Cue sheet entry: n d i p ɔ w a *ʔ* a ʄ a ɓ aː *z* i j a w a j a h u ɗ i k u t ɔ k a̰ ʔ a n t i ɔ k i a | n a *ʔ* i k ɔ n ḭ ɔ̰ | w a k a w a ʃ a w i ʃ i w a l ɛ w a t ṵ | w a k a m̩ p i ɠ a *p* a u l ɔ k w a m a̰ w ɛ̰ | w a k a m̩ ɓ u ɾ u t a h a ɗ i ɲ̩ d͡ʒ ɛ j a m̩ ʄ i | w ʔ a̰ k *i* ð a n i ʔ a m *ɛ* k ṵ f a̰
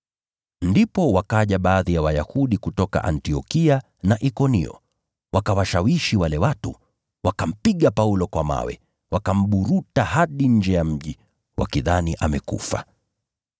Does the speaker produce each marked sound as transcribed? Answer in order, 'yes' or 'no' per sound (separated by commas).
no, no, yes, yes, yes, yes